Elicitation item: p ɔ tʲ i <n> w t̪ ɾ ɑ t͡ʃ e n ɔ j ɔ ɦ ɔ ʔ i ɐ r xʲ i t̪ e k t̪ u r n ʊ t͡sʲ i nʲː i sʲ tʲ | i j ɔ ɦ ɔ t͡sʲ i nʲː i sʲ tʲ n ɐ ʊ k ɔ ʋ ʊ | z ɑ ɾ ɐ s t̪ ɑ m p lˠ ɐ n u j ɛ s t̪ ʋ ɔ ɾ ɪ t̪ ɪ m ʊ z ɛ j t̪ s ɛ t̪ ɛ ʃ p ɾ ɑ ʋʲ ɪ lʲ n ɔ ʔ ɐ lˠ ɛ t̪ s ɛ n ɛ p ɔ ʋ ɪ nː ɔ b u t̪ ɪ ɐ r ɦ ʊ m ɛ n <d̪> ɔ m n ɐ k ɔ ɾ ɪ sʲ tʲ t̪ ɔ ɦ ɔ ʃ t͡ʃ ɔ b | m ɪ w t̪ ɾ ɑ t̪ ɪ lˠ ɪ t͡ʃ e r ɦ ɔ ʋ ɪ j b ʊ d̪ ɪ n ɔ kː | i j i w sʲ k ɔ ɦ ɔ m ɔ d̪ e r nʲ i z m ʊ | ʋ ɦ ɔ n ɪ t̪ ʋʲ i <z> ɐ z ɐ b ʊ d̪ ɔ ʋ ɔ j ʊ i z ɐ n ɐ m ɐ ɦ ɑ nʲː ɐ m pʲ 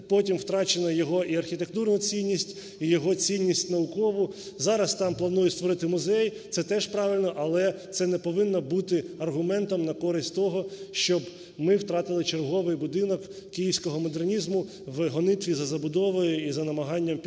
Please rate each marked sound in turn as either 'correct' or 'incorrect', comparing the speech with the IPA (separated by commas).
incorrect, incorrect, correct